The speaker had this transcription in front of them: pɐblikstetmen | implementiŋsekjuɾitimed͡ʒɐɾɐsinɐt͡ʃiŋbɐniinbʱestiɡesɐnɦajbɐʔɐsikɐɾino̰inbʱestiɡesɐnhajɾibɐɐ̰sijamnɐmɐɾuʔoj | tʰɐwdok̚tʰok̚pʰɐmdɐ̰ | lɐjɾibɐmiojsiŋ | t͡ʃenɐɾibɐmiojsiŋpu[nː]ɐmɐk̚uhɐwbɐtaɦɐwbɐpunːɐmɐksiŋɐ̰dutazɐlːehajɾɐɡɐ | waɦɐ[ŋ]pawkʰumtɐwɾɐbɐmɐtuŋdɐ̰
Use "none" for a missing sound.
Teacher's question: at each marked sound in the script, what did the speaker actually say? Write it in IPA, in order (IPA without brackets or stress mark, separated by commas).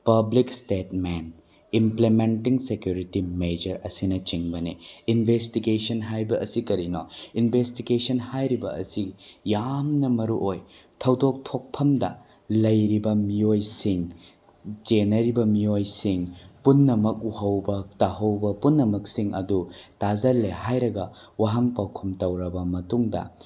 nː, ŋ